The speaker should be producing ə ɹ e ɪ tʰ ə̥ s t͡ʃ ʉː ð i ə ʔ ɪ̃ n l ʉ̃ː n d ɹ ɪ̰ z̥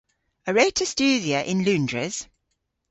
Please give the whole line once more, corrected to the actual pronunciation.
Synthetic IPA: ə ɹ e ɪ tʰ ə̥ s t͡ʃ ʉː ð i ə ʔ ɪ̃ n l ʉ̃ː n d ɹ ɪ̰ z̥

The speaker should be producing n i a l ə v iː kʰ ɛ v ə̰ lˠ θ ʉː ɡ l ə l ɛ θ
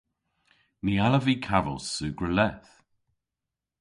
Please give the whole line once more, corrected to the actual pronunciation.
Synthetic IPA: n i a l ə v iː kʰ a v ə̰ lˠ s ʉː ɡ ɹ ə l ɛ θ

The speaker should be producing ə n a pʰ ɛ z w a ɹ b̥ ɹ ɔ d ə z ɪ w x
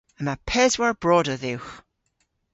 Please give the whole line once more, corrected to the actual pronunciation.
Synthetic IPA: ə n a pʰ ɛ z w a ɹ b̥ ɹ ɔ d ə ð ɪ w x

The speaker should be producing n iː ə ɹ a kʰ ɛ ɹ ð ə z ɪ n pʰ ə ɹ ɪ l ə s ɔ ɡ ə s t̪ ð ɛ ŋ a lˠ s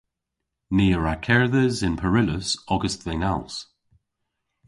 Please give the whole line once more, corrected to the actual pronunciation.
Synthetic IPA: n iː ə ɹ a kʰ ɛ ɹ ð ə z ɪ n pʰ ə ɹ ɪ l ə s ɔ ɡ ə s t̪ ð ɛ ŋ a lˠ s

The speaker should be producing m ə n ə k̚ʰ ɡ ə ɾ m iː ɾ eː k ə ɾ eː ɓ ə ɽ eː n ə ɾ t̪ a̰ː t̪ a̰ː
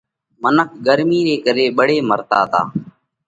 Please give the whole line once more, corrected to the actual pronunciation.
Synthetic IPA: m ə n ə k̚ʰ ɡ ə ɾ m iː ɾ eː k ə ɾ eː ɓ ə ɽ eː m ə ɾ t̪ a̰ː t̪ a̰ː

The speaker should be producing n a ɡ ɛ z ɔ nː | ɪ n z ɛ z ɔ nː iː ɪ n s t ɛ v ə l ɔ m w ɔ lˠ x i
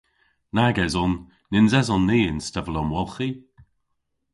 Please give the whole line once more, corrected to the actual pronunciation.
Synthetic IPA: n a ɡ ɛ z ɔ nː | ɪ n z ɛ z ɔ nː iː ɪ n s t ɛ v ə l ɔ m w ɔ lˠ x i

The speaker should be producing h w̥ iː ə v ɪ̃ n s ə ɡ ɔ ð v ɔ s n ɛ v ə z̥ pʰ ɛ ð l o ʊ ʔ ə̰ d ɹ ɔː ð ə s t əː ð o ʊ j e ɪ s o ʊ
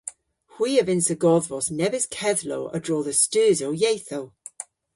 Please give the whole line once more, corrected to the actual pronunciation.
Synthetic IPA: h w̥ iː ə v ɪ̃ n s ə ɡ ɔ ð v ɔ s n ɛ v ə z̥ kʰ ɛ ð l o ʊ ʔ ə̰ d ɹ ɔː ð ə s t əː z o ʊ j e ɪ θ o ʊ

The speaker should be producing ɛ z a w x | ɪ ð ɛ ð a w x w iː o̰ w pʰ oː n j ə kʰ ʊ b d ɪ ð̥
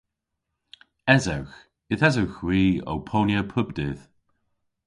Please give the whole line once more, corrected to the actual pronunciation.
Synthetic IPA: ɛ z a w x | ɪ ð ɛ z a w x w iː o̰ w pʰ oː n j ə pʰ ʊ b d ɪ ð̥

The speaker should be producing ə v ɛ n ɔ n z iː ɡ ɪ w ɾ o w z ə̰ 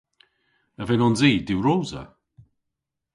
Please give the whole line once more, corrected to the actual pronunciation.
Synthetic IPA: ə v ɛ n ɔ n z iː d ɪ w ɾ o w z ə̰

